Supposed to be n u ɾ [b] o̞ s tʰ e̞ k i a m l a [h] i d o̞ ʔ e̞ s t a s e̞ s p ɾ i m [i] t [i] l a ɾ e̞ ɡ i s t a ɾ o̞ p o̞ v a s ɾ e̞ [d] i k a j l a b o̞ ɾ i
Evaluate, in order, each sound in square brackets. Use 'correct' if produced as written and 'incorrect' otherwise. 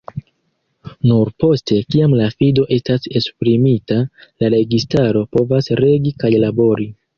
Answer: incorrect: p, incorrect: f, correct, incorrect: a, incorrect: ɡ

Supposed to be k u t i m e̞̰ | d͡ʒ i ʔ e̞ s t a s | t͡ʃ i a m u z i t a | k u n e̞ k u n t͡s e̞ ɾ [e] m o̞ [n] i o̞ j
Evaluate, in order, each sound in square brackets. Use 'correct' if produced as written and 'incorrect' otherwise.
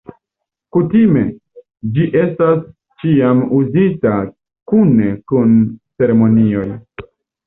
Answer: correct, correct

